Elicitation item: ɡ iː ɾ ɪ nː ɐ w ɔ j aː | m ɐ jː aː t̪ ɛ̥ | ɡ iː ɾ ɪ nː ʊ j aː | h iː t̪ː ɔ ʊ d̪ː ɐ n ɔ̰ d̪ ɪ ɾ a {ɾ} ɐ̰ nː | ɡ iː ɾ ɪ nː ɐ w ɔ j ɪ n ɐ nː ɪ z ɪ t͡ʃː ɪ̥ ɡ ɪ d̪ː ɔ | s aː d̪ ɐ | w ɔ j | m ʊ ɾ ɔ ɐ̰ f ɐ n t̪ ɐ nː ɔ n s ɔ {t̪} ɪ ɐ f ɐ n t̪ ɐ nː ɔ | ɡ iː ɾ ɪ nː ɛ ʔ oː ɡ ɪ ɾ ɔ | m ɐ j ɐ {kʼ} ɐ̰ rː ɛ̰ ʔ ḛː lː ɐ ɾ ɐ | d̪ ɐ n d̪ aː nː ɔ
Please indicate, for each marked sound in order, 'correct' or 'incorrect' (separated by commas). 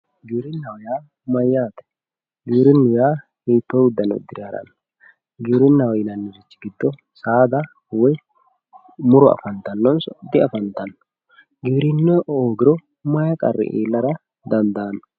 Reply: correct, incorrect, correct